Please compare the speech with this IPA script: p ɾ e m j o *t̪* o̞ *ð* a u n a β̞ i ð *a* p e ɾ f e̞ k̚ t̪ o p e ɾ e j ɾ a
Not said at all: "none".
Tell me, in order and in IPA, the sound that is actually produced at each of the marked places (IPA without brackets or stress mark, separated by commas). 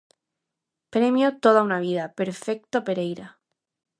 t̪, ð, a